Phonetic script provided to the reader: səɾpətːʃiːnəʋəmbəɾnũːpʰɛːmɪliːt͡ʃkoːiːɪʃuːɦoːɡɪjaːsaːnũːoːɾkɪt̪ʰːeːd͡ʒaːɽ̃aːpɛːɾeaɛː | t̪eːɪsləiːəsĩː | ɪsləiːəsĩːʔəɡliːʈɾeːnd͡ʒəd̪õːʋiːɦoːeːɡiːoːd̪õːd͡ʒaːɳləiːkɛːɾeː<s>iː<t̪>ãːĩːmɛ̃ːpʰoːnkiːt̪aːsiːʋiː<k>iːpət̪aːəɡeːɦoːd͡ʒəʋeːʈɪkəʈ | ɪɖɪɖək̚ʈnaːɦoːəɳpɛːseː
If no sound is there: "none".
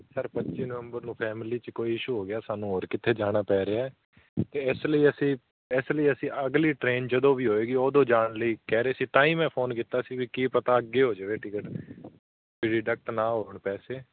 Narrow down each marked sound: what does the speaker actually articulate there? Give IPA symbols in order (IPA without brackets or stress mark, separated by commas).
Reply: s, t̪, k